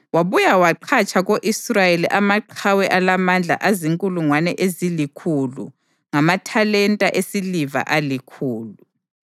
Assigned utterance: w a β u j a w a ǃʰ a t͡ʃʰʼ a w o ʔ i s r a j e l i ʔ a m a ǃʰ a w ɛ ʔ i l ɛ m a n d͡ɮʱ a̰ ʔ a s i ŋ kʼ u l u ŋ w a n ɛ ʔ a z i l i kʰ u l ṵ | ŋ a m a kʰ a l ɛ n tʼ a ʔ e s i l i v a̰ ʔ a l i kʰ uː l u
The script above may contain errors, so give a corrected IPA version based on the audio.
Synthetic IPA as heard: w a β u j a w a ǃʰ a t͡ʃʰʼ a ɣ o ʔ i s r a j e l i ʔ a m a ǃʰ a w ɛ ʔ a l a m a n d͡ɮʱ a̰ ʔ a z i ŋ kʼ u l u ŋ w a n ɛ ʔ e z i l i kʰ u l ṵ | ŋ a m a tʰ a l ɛ n tʼ a ʔ e s i l i v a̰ ʔ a l i kʰ uː l u